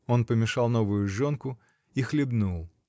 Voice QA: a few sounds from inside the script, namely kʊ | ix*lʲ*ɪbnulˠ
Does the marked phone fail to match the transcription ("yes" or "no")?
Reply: no